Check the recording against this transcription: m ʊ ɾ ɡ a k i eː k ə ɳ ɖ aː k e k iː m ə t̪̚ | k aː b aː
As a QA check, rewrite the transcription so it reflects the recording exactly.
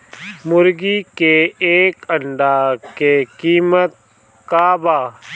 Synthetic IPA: m ʊ ɾ ɡ i k e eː k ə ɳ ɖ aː k e k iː m ə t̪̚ | k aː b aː